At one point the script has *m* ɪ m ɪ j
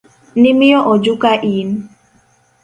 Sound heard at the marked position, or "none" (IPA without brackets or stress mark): n